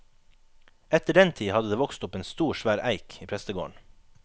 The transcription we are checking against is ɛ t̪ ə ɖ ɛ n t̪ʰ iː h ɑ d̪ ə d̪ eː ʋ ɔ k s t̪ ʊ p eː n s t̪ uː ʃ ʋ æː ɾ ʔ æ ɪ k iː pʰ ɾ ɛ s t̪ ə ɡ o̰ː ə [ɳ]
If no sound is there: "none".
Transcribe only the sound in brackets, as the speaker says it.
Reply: ɳ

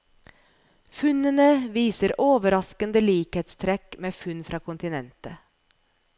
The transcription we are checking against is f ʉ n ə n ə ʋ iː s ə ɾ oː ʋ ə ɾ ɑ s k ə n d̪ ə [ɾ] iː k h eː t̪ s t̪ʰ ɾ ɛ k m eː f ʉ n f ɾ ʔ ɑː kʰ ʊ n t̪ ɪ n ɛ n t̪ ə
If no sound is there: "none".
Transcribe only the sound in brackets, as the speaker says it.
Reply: l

